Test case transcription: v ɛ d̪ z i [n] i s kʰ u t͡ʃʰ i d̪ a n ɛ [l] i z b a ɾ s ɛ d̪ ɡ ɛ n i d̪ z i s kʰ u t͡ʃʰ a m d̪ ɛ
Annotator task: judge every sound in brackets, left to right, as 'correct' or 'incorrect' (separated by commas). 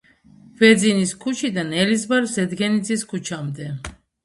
correct, correct